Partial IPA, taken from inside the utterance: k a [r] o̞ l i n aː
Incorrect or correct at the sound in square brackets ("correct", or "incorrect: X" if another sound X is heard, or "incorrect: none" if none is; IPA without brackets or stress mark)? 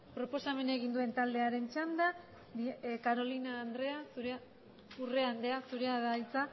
incorrect: ɾ